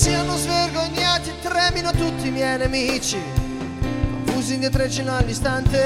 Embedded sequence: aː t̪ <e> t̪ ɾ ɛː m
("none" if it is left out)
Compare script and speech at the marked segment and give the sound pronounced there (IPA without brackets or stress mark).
i